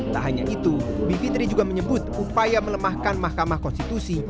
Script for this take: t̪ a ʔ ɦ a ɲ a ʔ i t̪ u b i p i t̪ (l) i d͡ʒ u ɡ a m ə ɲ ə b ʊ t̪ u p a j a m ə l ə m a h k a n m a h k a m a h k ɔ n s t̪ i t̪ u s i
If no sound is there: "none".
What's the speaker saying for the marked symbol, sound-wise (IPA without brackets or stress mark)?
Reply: ɾ